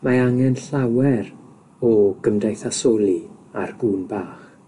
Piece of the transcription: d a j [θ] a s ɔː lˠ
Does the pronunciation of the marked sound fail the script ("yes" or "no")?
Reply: no